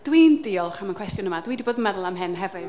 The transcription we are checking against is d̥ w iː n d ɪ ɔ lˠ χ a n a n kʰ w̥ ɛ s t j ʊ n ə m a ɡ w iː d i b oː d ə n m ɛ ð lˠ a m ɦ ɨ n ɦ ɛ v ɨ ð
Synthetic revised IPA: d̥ w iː n d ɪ ɔ lˠ χ a m a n kʰ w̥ ɛ s t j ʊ n ə m a d w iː d i b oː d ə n m ɛ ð lˠ a m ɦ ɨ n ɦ ɛ v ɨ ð